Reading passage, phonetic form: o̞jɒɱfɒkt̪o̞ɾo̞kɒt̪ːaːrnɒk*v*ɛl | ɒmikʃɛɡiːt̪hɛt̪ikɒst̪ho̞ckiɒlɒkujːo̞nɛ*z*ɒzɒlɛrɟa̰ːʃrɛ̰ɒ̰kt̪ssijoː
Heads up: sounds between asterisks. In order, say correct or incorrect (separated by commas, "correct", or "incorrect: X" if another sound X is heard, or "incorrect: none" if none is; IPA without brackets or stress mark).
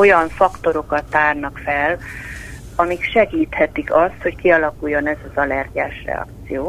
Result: incorrect: f, correct